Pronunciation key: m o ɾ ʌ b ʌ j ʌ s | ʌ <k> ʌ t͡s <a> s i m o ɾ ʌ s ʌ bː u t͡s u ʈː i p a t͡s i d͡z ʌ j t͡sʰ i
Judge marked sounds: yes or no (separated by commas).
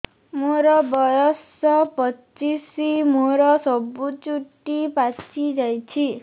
no, no